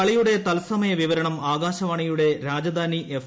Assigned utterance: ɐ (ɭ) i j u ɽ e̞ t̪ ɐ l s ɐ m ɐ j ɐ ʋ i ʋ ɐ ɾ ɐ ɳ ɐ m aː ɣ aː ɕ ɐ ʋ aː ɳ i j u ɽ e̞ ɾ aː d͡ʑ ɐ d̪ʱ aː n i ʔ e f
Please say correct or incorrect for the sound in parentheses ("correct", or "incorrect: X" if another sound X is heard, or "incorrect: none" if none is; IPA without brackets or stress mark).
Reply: correct